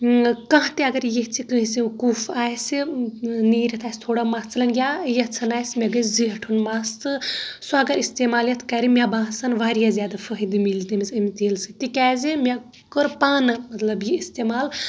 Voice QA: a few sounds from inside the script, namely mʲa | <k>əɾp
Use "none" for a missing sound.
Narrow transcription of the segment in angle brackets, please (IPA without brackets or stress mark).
k